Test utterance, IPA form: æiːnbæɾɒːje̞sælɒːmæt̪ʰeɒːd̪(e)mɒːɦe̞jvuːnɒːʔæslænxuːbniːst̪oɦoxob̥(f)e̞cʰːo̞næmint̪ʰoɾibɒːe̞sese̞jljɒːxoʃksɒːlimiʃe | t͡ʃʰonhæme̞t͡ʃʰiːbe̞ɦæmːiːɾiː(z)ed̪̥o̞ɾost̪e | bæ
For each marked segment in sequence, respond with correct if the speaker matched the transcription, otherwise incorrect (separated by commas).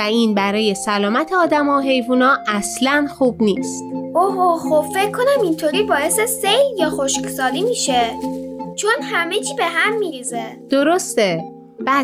incorrect, correct, correct